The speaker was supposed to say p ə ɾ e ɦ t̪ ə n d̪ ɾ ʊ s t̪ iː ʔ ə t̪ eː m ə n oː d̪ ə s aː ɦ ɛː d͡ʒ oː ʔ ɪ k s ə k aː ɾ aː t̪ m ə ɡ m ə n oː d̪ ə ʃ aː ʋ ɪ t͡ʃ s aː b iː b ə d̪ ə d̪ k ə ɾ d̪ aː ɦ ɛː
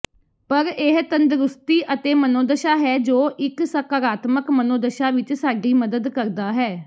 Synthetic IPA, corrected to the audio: p ə ɾ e ɦ t̪ ə n d̪ ɾ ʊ s t̪ iː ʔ ə t̪ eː m ə n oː d̪ ə ʃ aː ɦ ɛː d͡ʒ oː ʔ ɪ k s ə k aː ɾ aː t̪ m ə k m ə n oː d̪ ə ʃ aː ʋ ɪ t͡ʃ s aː ɡ iː m ə d̪ ə d̪ k ə ɾ d̪ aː ɦ ɛː